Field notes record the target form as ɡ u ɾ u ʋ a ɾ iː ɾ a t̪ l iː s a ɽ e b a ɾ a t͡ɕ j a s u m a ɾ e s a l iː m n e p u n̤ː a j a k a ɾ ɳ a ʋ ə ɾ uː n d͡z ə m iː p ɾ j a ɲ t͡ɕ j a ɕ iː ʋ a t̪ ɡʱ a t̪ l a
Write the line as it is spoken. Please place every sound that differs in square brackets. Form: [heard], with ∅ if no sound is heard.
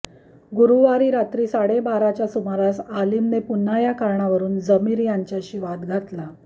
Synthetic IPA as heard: ɡ u ɾ u ʋ a ɾ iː ɾ a t̪ [ɾ] iː s a ɽ e b a ɾ a t͡ɕ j a s u m a ɾ [a] s a l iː m n e p u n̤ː a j a k a ɾ ɳ a ʋ ə ɾ uː n d͡z ə m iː [∅] ɾ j a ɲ t͡ɕ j a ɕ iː ʋ a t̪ ɡʱ a t̪ l a